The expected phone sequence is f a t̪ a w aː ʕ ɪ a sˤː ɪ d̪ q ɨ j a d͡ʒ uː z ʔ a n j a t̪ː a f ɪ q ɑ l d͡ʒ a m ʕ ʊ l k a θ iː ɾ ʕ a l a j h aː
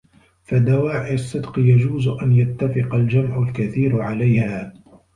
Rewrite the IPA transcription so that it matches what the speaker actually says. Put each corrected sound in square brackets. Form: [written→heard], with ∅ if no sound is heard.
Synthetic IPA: f a [t̪→d̪] a w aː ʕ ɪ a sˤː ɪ d̪ q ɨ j a d͡ʒ uː z ʔ a n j a t̪ː a f ɪ q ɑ l d͡ʒ a m ʕ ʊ l k a θ iː ɾ ʕ a l a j h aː